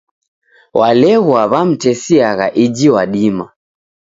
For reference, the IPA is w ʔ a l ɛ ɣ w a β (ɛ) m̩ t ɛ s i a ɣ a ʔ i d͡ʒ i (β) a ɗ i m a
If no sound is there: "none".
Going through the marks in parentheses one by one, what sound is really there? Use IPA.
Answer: a, w

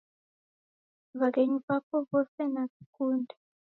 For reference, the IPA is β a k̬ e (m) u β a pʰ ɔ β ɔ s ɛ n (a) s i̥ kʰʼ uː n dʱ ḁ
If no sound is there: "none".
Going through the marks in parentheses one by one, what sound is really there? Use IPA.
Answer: ɲ, a

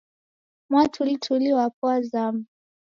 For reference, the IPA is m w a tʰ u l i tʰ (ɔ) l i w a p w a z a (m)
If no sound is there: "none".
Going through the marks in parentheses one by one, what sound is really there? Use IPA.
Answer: u, m

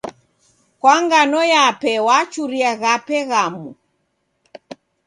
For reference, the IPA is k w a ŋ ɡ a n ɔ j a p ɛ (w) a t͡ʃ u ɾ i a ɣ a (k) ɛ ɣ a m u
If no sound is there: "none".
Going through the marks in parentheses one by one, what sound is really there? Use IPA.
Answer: w, p

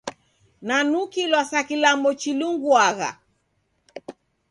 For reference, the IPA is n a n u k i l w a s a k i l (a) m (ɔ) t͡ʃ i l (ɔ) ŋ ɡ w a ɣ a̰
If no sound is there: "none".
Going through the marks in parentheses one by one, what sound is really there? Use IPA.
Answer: a, ɔ, u

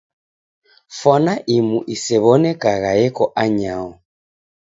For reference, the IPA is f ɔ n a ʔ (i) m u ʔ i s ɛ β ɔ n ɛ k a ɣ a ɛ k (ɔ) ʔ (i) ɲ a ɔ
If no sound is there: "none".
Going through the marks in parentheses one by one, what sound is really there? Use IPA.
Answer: i, ɔ, a

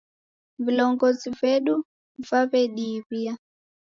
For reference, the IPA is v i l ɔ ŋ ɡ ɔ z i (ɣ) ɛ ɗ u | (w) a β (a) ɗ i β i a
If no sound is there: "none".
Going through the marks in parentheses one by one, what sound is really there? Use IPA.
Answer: v, v, ɛ

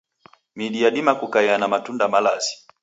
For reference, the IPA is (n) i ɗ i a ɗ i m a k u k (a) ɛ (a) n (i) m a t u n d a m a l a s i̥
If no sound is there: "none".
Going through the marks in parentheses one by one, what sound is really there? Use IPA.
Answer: m, a, a, a

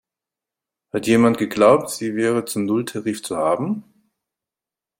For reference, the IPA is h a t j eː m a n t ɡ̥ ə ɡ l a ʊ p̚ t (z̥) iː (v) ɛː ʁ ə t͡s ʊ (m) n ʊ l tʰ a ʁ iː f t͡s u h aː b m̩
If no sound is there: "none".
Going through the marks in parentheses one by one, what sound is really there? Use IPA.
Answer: z̥, v, m

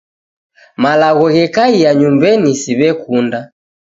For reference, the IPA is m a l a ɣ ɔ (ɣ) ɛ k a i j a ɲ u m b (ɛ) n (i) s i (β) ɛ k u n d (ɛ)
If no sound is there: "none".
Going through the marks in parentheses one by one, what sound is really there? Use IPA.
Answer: ɣ, ɛ, i, β, a

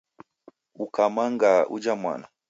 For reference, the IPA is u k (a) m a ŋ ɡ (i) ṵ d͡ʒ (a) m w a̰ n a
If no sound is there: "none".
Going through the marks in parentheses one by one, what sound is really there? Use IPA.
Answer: a, a, a

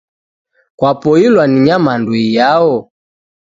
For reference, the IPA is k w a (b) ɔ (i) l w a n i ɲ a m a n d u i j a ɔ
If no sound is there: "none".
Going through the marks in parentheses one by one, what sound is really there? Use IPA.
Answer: p, i

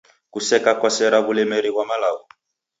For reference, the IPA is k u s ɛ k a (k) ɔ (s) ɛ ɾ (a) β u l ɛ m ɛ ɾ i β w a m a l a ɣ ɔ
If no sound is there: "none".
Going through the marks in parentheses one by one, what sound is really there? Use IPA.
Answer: k, s, a

